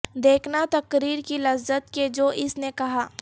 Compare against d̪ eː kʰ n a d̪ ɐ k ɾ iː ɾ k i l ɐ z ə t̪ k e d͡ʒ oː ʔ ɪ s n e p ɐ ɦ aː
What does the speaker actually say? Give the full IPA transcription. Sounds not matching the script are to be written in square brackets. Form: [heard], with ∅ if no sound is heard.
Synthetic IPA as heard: d̪ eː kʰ n a [t̪] ɐ k ɾ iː ɾ k i l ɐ z ə t̪ k e d͡ʒ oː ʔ ɪ s n e [k] ɐ ɦ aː